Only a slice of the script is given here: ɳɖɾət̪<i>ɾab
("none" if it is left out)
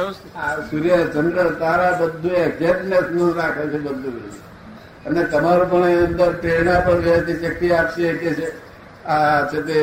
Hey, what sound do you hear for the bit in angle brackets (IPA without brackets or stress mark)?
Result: a